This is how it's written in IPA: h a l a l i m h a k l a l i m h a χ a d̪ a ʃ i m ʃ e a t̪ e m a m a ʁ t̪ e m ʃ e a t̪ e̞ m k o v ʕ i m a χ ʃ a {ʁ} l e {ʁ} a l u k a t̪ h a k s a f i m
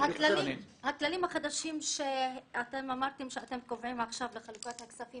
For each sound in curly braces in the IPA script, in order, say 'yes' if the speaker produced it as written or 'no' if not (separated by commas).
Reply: no, no